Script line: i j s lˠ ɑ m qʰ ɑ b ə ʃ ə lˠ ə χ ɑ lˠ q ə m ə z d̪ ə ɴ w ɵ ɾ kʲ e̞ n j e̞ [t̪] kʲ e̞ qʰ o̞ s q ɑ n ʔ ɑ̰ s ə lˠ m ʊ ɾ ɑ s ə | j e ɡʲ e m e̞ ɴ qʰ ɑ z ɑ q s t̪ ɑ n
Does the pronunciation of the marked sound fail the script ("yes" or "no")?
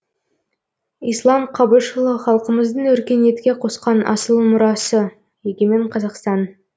no